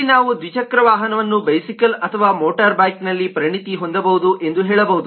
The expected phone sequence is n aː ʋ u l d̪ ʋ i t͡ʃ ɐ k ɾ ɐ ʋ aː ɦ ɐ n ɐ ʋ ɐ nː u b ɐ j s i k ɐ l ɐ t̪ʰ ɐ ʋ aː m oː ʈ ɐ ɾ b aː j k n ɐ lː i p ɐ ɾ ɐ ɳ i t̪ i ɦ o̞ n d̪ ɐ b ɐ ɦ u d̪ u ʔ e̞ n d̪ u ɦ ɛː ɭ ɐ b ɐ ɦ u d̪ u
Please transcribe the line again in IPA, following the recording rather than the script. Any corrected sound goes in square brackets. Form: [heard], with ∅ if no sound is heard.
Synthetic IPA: n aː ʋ u [∅] d̪ ʋ i t͡ʃ ɐ k ɾ ɐ ʋ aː ɦ ɐ n ɐ ʋ ɐ nː u b ɐ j s i k ɐ l ɐ t̪ʰ ɐ ʋ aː m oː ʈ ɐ ɾ b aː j k n ɐ lː i p ɐ ɾ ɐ ɳ i t̪ i ɦ o̞ n d̪ ɐ b ɐ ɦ u d̪ u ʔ e̞ n d̪ u ɦ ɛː ɭ ɐ b ɐ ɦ u d̪ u